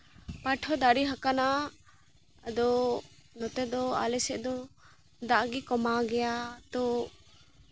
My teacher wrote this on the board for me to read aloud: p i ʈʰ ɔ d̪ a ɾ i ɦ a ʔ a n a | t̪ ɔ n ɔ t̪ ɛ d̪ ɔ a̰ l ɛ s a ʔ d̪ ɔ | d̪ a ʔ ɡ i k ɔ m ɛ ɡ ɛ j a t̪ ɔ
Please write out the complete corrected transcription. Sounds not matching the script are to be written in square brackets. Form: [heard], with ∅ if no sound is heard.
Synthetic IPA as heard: p [a] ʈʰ ɔ d̪ a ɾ i ɦ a [k] a n a | [d̪] ɔ n ɔ t̪ ɛ d̪ ɔ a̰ l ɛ s [ɛ] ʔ d̪ ɔ | d̪ a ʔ ɡ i k ɔ m [a] ɡ ɛ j a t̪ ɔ